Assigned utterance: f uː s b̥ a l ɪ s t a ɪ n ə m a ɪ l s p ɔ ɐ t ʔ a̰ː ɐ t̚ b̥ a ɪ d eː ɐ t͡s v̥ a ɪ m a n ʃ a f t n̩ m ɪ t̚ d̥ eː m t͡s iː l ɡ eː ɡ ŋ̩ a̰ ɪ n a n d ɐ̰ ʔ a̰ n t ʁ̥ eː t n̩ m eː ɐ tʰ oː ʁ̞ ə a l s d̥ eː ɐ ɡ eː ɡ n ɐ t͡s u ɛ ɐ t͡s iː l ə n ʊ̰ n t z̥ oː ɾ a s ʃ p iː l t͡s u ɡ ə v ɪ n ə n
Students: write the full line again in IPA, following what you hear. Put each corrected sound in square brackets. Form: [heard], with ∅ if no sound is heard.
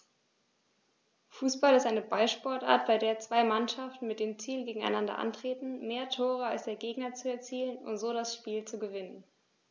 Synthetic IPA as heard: f uː s b̥ a l ɪ s t a ɪ n ə [b] a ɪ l [ʃ] p ɔ ɐ t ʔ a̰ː ɐ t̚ b̥ a ɪ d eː ɐ t͡s v̥ a ɪ m a n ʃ a f t n̩ m ɪ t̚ d̥ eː m t͡s iː l ɡ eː ɡ ŋ̩ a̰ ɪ n a n d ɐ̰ ʔ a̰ n t ʁ̥ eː t n̩ m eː ɐ tʰ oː ʁ̞ ə a l s d̥ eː ɐ ɡ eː ɡ n ɐ t͡s u ɛ ɐ t͡s iː l ə n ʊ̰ n t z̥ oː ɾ a s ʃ p iː l t͡s u ɡ ə v ɪ n ə n